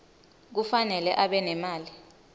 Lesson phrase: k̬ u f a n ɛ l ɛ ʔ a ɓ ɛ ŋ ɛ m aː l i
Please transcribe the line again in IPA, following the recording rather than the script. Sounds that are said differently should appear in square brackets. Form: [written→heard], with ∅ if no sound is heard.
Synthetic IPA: k̬ u f a n ɛ l ɛ ʔ a ɓ ɛ [ŋ→n] ɛ m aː l i